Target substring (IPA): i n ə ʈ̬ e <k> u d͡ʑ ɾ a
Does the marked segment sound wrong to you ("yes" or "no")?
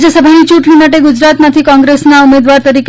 yes